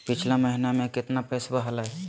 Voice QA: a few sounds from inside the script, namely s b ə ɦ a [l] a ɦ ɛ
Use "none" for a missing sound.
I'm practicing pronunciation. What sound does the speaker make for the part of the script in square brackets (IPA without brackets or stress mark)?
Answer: l